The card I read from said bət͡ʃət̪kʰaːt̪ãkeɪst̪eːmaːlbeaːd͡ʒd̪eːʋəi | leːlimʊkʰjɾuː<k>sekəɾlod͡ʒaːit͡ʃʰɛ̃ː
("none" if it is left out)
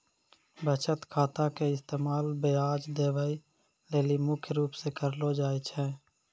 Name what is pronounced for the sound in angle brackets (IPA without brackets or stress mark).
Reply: p